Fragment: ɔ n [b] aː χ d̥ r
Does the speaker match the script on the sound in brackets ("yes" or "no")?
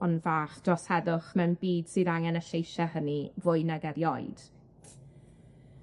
no